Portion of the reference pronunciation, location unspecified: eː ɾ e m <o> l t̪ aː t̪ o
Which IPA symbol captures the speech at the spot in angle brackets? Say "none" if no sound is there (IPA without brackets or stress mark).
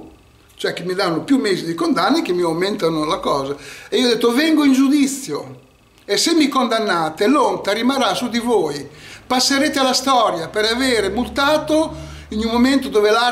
u